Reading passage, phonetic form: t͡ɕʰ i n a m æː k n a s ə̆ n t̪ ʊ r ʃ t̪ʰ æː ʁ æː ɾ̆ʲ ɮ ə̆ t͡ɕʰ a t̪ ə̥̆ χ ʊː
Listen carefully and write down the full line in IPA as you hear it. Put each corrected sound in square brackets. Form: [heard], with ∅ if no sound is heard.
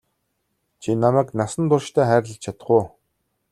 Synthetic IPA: t͡ɕʰ i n a m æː k n a s ə̆ n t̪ ʊ r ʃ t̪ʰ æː [χ] æː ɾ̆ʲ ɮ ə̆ t͡ɕʰ a t̪ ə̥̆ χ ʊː